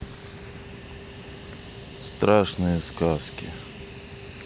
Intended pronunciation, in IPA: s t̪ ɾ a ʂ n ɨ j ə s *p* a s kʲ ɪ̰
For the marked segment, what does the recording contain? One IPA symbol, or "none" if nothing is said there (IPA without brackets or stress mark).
k